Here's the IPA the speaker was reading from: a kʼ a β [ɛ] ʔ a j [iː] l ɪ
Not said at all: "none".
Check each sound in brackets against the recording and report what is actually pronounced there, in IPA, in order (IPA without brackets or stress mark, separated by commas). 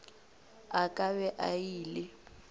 ɛ, iː